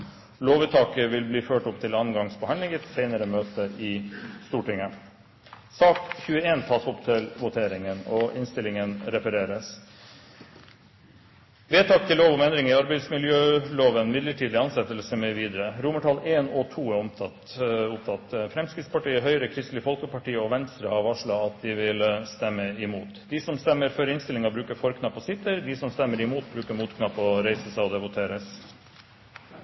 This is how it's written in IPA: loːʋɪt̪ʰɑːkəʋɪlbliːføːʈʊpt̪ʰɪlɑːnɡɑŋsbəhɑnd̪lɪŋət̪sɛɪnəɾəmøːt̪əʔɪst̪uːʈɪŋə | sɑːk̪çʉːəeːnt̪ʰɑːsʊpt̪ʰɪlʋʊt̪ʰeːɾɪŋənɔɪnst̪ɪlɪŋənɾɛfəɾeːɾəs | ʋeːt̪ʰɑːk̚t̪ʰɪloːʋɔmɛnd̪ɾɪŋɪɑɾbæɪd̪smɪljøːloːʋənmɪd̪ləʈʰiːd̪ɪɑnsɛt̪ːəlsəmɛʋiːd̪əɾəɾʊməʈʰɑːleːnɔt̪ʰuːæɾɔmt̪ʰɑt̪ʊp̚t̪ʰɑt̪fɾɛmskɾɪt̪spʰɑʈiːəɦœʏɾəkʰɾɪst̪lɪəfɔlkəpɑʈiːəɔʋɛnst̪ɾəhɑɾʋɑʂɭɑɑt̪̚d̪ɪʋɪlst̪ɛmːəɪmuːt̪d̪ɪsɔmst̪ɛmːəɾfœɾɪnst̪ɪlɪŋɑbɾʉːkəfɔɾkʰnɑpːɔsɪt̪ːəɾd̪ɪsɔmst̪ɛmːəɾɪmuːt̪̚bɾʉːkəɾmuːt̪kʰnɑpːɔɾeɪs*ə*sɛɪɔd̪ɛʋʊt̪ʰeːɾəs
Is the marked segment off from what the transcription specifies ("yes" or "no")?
no